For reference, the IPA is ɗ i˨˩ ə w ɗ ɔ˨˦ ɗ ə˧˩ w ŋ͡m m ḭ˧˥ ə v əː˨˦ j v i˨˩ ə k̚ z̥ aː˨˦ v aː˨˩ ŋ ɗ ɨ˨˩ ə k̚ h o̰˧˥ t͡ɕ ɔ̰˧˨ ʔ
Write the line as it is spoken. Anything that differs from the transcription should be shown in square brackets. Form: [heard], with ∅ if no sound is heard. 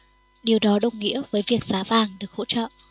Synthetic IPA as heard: ɗ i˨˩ ə w ɗ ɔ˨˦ ɗ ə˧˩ w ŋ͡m [ŋ] ḭ˧˥ ə v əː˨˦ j v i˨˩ ə k̚ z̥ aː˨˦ v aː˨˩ ŋ ɗ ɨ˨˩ ə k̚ h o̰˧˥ t͡ɕ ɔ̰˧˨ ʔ